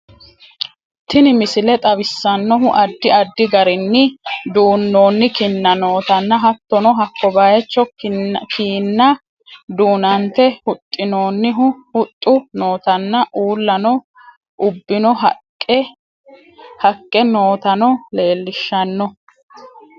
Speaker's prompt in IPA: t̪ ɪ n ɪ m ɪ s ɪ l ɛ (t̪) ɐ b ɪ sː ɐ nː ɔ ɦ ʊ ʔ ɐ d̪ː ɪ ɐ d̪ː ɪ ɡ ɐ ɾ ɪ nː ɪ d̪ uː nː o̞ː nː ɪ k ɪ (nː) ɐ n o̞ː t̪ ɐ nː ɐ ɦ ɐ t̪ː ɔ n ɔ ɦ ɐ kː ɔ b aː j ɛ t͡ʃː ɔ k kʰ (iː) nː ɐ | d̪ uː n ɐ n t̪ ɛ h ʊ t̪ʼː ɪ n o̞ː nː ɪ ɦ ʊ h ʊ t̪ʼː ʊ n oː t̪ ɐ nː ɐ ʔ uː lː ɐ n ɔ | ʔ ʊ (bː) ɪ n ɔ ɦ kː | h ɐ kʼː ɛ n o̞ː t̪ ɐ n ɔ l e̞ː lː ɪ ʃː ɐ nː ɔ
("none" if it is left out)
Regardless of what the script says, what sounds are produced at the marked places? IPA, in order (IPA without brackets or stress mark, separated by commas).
t̪ʼ, nː, iː, bː